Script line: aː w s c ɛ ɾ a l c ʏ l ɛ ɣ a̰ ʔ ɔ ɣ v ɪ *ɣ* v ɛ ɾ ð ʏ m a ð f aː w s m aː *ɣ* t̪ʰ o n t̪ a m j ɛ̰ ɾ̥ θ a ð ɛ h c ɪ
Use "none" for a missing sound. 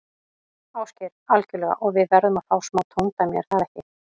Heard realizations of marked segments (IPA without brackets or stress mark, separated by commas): ð, w